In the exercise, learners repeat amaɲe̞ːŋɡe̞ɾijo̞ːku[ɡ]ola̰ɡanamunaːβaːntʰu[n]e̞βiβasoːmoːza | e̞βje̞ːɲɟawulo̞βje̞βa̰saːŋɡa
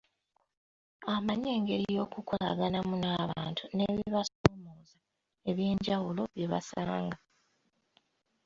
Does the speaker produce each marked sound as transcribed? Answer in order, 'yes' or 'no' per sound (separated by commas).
no, yes